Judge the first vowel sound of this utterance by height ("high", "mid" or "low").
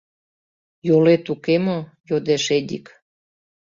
mid